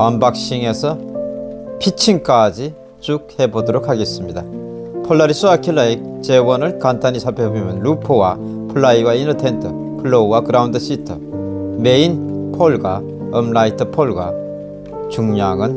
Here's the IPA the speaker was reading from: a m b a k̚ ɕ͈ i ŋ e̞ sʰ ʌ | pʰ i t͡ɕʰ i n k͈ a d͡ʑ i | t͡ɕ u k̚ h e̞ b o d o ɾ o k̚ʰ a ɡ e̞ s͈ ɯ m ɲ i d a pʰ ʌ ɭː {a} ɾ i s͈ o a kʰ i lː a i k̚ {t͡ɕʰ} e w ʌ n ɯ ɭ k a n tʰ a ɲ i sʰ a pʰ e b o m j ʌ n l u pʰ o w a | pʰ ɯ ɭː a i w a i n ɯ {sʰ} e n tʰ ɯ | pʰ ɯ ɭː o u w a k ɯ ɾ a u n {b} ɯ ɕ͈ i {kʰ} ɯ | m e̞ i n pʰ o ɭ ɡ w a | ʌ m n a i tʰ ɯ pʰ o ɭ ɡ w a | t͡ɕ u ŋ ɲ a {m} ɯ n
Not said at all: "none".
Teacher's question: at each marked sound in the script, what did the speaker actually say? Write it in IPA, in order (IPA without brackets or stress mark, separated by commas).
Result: a, t͡ɕ, tʰ, d, tʰ, ŋ